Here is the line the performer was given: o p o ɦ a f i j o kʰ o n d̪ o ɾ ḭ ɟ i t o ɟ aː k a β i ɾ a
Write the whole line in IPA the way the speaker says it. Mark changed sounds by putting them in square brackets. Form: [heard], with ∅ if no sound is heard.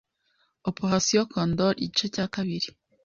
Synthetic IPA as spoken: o p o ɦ a [s] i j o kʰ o n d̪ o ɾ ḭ ɟ i [t͡ʃ] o [c] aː k a β i ɾ [i]